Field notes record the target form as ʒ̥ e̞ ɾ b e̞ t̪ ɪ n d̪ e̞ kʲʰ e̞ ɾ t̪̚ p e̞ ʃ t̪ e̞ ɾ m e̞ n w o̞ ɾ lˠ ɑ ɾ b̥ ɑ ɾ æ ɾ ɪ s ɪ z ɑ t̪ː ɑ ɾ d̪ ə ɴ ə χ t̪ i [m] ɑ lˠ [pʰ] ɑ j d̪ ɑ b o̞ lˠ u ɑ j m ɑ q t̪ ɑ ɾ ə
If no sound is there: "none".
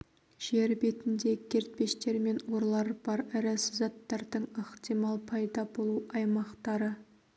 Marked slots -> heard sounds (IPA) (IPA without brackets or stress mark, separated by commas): m, pʰ